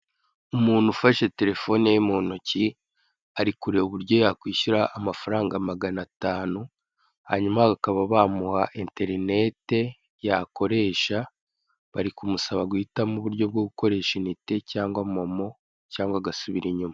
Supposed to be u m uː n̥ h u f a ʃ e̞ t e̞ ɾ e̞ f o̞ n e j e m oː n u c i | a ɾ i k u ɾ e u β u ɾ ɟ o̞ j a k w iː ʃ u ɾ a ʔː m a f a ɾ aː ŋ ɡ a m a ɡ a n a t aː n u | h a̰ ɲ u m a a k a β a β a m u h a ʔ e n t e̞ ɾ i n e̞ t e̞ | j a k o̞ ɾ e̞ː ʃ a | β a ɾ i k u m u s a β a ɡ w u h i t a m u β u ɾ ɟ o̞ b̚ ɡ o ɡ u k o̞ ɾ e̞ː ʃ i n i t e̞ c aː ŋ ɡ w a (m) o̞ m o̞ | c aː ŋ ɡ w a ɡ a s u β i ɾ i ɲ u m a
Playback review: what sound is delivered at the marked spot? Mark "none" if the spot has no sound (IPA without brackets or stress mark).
m